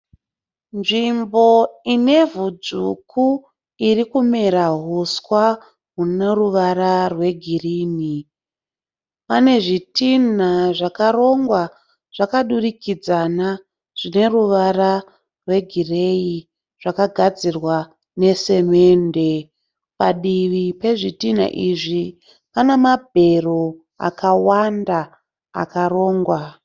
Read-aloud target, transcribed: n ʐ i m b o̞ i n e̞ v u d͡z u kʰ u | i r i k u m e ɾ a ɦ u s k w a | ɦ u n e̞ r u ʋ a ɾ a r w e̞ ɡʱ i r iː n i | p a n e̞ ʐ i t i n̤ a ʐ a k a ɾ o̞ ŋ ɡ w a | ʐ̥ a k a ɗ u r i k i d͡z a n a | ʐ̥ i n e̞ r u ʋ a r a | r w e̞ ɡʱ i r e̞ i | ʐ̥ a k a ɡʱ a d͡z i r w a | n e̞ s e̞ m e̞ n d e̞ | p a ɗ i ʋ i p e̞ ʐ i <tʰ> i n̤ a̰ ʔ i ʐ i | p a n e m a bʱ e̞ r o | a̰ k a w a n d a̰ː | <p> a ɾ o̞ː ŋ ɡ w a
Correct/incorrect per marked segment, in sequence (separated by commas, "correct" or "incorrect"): incorrect, incorrect